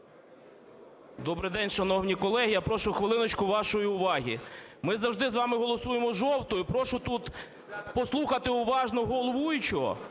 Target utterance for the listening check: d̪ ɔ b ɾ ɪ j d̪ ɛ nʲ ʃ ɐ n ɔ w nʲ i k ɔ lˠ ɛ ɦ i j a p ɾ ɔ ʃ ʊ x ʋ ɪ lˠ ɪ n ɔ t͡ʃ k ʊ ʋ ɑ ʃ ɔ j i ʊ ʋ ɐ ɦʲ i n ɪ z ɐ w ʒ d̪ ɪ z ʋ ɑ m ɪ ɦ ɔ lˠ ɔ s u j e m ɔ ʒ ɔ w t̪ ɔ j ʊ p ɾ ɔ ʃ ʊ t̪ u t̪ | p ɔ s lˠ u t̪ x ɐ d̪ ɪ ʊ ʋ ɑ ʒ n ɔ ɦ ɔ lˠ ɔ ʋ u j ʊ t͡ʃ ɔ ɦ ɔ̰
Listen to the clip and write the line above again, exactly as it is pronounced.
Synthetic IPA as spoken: d̪ ɔ b ɾ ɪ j d̪ ɛ nʲ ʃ ɐ n ɔ w nʲ i k ɔ lˠ ɛ ɦ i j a p ɾ ɔ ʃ ʊ x ʋ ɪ lˠ ɪ n ɔ t͡ʃ k ʊ ʋ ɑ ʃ ɔ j i ʊ ʋ ɑ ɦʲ i m ɪ z ɐ w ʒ d̪ ɪ z ʋ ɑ m ɪ ɦ ɔ lˠ ɔ s u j e m ɔ ʒ ɔ w t̪ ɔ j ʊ p ɾ ɔ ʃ ʊ t̪ u t̪ | p ɔ s lˠ u x ɐ t̪ ɪ ʊ ʋ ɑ ʒ n ɔ ɦ ɔ lˠ ɔ ʋ u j ʊ t͡ʃ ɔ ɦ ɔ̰